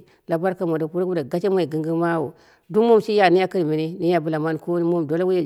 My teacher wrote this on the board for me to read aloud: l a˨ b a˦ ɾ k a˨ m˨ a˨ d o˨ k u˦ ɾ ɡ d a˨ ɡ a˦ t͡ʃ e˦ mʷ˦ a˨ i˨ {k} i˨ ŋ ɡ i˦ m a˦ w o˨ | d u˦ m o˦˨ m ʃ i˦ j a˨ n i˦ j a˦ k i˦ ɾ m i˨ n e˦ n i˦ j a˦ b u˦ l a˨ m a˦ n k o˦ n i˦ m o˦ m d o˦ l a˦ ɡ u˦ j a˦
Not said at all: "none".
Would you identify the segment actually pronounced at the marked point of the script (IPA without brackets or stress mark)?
ɡ